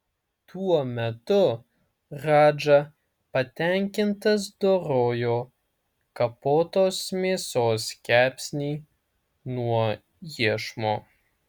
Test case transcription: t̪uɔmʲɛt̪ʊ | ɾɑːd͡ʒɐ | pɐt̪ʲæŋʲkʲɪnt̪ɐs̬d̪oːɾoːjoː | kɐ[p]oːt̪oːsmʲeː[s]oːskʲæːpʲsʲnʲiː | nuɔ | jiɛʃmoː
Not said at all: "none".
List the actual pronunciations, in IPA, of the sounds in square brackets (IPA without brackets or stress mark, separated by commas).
p, s